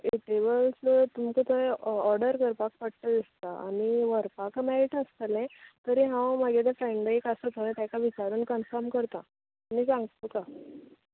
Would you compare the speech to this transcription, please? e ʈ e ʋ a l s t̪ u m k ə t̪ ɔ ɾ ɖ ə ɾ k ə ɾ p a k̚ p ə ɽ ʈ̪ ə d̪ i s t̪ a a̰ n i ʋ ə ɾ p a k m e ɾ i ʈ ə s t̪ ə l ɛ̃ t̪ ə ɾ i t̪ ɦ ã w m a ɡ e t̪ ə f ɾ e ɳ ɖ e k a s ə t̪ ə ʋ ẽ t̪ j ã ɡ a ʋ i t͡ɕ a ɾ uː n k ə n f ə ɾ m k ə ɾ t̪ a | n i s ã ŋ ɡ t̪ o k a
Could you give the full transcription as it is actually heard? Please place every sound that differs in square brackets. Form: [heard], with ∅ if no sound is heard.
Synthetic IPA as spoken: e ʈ e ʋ [ə] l s t̪ u m k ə t̪ ɔ ɾ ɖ ə ɾ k ə ɾ p a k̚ p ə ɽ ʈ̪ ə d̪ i s t̪ a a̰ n i ʋ ə ɾ p a k m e ɾ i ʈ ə s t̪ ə l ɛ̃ t̪ ə ɾ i [∅] ɦ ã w m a ɡ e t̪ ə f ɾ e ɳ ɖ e k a s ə t̪ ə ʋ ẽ t̪ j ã [k] a ʋ i t͡ɕ a ɾ uː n k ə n f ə ɾ m k ə ɾ t̪ a | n i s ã ŋ ɡ t̪ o k a